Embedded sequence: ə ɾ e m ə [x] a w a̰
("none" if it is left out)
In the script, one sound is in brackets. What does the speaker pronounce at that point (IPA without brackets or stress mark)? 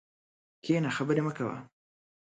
k